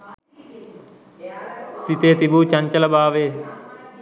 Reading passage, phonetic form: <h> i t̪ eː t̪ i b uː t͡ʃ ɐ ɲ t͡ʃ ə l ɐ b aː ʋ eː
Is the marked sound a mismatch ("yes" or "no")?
yes